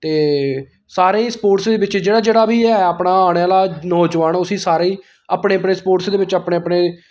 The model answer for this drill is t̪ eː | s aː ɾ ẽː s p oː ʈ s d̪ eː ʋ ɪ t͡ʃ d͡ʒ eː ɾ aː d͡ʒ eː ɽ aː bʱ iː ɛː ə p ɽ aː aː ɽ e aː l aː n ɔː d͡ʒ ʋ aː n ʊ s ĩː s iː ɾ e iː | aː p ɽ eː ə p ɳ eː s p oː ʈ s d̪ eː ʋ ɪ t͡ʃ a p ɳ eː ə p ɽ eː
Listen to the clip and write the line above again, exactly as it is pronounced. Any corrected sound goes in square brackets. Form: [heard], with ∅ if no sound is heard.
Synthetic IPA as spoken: t̪ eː | s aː ɾ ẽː s p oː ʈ s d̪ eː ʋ ɪ t͡ʃ d͡ʒ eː [ɽ] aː d͡ʒ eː ɽ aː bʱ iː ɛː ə p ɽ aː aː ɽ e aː l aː n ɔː d͡ʒ ʋ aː n ʊ s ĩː s [aː] ɾ e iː | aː p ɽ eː ə p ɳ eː s p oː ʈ s d̪ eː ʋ ɪ t͡ʃ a p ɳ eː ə p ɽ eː

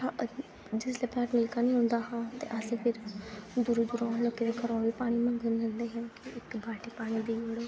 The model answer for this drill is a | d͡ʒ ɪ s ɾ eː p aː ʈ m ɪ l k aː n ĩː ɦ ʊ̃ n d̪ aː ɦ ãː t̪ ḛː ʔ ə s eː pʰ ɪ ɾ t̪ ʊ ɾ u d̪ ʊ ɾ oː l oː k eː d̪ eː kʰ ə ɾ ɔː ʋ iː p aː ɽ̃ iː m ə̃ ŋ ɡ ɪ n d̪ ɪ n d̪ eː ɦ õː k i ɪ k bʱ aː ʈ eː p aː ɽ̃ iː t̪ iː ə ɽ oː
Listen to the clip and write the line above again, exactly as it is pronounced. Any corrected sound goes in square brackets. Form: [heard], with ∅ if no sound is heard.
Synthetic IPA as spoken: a | d͡ʒ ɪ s [l] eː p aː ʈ m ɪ l k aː n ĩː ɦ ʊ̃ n d̪ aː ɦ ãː t̪ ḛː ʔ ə s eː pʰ ɪ ɾ [d̪] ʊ ɾ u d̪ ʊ ɾ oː l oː k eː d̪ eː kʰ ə ɾ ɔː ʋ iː p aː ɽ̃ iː m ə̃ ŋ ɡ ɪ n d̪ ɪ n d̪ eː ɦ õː k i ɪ k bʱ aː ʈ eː p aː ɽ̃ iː [d̪] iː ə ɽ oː

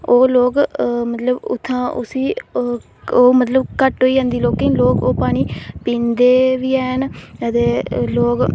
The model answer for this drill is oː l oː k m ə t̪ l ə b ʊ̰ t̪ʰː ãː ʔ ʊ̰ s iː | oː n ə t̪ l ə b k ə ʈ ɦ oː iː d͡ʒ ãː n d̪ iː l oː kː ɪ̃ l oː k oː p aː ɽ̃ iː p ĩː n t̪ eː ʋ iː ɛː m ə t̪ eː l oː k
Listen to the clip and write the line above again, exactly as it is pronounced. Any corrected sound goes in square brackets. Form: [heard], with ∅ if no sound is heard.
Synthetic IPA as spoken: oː l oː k m ə t̪ l ə b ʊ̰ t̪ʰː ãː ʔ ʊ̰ s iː | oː [m] ə t̪ l ə b k ə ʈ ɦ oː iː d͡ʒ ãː n d̪ iː l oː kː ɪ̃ l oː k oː p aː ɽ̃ iː p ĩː n [d̪] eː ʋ iː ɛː [n] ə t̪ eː l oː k

